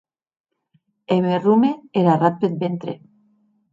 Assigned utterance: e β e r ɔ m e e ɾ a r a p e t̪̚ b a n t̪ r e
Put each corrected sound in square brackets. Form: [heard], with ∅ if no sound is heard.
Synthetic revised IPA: e β e r [u] m e e ɾ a r a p e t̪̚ b [e] n t̪ [ɾ] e